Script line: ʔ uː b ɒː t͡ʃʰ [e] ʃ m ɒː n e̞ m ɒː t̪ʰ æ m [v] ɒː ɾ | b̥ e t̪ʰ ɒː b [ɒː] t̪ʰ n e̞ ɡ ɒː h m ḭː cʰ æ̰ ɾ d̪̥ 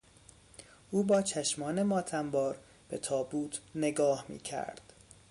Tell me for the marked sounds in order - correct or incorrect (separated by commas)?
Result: incorrect, incorrect, incorrect